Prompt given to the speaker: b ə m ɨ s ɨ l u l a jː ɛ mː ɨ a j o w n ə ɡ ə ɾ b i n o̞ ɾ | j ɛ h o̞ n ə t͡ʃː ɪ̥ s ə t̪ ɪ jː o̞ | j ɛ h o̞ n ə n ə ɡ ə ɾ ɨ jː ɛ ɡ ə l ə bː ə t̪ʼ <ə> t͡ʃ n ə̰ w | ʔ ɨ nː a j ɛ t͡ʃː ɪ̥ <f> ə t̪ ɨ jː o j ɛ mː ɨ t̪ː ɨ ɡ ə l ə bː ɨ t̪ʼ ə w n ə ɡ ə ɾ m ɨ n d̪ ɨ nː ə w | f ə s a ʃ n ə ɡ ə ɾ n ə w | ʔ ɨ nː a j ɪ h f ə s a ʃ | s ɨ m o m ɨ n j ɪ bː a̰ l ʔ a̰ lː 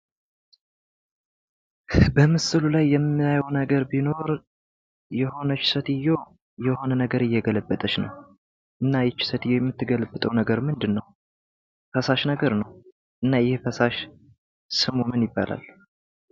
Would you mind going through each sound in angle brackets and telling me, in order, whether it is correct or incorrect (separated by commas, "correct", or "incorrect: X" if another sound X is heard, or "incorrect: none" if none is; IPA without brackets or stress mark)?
correct, incorrect: s